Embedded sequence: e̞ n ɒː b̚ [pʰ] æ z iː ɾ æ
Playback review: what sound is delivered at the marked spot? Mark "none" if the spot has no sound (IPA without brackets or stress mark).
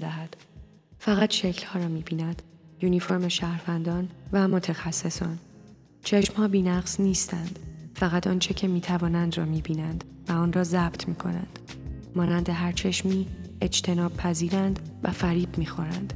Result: pʰ